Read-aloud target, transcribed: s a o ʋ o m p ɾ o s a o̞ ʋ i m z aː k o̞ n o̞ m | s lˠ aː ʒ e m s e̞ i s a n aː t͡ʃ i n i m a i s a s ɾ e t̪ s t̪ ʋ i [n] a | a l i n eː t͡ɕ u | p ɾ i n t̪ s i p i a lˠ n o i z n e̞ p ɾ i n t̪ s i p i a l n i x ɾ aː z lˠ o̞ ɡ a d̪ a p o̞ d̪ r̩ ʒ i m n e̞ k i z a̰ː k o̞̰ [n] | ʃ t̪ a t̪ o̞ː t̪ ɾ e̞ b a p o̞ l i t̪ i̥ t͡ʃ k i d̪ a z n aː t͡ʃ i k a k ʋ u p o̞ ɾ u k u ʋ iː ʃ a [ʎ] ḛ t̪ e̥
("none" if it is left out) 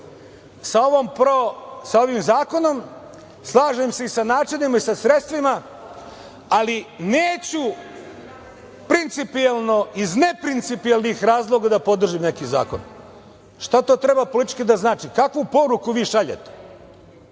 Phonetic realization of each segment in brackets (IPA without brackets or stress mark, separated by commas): m, n, ʎ